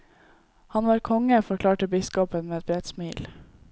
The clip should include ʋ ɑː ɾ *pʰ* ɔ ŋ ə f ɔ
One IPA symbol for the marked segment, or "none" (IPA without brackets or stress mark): kʰ